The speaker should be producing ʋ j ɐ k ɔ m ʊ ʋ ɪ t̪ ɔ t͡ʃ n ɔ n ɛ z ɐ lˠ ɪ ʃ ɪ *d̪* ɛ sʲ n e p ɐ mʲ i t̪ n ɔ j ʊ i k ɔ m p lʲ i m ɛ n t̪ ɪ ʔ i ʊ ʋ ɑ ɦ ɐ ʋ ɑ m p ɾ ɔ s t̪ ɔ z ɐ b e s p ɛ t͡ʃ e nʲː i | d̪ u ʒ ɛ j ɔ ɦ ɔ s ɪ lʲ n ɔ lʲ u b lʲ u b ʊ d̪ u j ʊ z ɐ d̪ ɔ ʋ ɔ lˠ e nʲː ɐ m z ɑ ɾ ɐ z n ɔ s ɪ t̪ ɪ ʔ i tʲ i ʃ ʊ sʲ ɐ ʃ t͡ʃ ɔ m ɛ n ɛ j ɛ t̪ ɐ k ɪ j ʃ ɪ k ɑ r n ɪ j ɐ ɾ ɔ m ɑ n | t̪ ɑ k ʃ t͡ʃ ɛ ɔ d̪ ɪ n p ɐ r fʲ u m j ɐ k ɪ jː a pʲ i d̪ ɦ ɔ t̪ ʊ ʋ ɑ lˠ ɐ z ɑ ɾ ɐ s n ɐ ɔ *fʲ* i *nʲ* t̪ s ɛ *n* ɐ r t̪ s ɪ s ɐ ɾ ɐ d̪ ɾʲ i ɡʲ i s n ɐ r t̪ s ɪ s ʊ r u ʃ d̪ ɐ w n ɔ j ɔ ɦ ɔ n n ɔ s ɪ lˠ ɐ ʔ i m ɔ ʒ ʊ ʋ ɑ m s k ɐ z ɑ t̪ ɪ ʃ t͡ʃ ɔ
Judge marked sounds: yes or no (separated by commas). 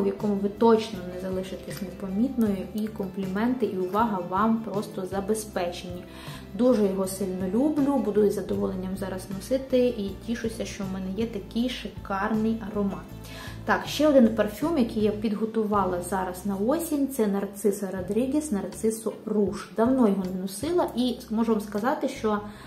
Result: no, no, yes, yes